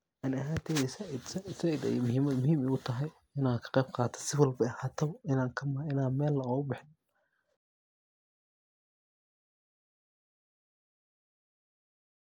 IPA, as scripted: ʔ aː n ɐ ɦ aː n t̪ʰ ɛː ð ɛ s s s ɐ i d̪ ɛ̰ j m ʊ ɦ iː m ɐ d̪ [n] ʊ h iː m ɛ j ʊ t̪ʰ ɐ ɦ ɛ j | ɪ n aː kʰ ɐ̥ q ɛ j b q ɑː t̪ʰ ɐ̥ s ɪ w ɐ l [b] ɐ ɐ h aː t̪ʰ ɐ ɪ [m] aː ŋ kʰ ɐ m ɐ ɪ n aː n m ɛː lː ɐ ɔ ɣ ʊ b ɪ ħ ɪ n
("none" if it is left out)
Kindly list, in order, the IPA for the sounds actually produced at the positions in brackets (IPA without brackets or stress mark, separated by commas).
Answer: m, b, n